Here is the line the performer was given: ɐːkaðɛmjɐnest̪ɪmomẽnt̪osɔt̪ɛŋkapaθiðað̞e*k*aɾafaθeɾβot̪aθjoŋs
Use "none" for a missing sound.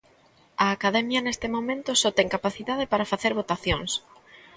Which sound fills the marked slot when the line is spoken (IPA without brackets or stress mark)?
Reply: p